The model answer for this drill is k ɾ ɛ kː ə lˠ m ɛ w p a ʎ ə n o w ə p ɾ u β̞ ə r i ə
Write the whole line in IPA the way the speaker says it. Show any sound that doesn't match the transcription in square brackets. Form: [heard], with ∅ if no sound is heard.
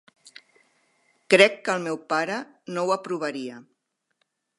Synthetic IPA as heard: k ɾ ɛ kː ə lˠ m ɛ w p a [ɾ] ə n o w ə p ɾ u β̞ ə [ɾ] i ə